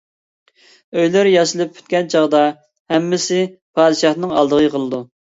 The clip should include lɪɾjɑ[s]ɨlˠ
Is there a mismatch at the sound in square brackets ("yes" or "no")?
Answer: yes